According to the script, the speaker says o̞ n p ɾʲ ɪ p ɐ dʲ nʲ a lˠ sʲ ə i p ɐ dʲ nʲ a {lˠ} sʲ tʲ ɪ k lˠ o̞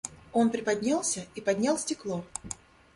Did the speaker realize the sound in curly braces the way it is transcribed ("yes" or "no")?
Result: yes